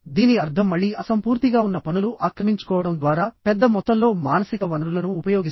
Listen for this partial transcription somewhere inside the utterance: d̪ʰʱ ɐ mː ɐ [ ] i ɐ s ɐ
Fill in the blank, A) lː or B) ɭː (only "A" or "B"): B